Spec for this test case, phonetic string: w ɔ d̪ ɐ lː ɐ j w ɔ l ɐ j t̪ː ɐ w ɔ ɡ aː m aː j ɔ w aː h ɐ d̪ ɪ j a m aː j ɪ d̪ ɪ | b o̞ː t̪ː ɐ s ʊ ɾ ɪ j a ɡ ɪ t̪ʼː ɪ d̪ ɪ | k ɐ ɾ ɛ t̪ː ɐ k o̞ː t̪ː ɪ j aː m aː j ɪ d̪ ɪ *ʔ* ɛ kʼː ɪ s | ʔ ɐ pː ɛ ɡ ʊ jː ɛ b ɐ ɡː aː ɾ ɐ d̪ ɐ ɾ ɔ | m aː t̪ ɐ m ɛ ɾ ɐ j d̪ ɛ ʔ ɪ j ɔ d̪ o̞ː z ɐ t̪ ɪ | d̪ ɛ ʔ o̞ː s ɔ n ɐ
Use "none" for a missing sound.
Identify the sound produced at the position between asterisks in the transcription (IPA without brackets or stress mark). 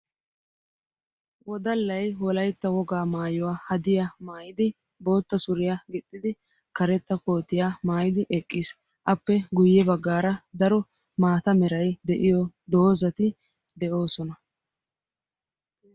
ʔ